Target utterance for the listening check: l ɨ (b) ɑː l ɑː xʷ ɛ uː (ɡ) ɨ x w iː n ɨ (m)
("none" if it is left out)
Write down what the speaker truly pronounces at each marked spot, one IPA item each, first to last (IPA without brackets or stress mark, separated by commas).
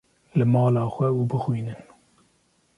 m, b, n